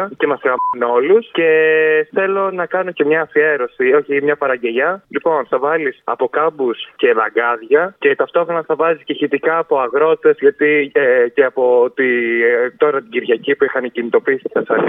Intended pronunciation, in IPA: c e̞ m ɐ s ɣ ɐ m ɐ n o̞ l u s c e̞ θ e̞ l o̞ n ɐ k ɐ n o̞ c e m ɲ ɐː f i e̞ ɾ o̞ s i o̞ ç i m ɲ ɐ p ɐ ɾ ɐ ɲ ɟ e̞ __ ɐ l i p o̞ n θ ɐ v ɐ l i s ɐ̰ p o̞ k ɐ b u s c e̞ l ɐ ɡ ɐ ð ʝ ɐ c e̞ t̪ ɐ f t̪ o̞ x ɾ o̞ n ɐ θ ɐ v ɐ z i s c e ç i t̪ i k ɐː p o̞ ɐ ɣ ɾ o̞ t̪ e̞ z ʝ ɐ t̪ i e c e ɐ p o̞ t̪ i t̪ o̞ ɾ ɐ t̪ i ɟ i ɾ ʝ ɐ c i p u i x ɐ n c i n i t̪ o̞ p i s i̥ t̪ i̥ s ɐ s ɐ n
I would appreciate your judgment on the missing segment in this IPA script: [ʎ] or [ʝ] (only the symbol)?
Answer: ʎ